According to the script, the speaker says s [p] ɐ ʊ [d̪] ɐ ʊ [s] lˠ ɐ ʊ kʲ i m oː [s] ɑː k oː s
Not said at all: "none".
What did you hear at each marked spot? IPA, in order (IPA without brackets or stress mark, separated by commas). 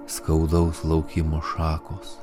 k, d̪, s, ʃ